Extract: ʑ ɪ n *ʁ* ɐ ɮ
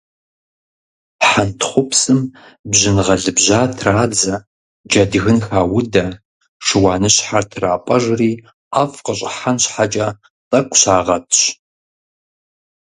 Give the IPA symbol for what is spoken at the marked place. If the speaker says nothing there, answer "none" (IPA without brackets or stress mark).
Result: ʁ